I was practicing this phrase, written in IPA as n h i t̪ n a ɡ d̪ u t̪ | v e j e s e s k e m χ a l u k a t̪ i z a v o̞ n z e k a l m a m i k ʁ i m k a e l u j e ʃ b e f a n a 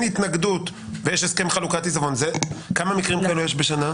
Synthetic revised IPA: n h i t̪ n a ɡ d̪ u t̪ | v e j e ʃ e s k e m χ a l u k a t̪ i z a v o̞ n z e k a m a m i k ʁ i m k a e l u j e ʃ b e ʃ a n a